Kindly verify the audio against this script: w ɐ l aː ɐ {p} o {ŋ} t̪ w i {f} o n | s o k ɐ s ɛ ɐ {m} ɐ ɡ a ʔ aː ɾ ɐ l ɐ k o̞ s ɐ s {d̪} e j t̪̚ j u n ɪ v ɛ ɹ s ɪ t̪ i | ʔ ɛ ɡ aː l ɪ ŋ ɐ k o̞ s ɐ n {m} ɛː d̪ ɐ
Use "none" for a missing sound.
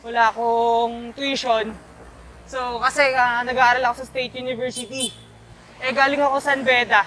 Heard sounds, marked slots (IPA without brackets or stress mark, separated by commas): k, ŋ, ʃ, n, t̪, b